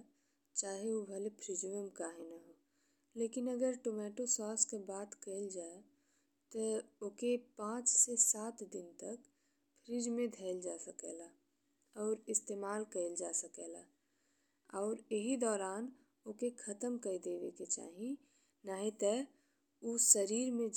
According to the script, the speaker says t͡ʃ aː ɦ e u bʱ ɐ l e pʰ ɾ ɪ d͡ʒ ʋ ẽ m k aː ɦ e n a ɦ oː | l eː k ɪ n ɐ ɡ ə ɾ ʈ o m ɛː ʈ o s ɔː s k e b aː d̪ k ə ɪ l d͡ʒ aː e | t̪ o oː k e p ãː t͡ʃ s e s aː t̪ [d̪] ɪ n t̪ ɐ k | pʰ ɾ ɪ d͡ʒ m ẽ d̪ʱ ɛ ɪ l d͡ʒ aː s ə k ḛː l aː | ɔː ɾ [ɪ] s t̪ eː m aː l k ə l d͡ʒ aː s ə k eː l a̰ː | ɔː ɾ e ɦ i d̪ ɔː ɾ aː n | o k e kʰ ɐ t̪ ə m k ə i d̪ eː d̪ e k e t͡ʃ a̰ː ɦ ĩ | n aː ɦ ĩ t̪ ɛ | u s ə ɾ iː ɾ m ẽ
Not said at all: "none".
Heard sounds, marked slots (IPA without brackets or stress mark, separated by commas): d̪, ɪ